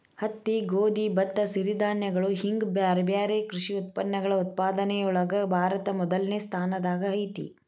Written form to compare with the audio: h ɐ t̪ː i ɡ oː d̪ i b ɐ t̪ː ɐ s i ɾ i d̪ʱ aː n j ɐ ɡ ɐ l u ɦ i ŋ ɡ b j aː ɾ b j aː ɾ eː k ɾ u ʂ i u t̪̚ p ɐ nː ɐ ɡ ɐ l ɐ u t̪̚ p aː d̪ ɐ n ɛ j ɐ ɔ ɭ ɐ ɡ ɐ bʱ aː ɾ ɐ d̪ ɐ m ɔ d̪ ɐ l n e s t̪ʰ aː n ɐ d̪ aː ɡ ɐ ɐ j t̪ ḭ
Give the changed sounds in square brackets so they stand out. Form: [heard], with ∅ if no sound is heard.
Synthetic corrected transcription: h ɐ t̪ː i ɡ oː d̪ i b ɐ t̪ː ɐ s i ɾ i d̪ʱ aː n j ɐ ɡ ɐ [ɭ] u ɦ i ŋ ɡ b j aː ɾ b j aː ɾ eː k ɾ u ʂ i u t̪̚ p ɐ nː ɐ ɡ ɐ [ɭ] ɐ u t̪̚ p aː d̪ ɐ n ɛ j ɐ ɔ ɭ ɐ ɡ ɐ bʱ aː ɾ ɐ [t̪] ɐ m ɔ d̪ ɐ l n e s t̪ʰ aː n ɐ d̪ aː ɡ ɐ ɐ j t̪ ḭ